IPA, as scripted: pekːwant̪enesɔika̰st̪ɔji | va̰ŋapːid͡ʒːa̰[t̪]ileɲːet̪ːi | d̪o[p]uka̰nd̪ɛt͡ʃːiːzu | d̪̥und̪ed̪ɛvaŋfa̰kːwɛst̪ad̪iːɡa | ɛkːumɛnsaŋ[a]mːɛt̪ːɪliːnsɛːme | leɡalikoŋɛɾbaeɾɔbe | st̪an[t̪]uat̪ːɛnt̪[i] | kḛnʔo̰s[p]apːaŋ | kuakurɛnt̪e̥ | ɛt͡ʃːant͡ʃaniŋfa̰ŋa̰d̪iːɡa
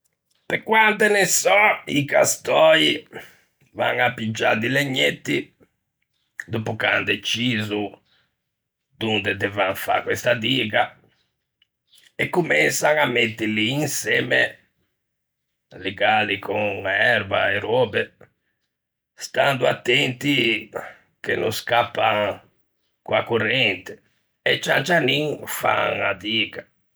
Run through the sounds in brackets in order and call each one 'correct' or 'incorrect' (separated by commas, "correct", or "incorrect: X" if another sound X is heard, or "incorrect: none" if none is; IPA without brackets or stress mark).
incorrect: d̪, correct, correct, incorrect: d̪, correct, incorrect: k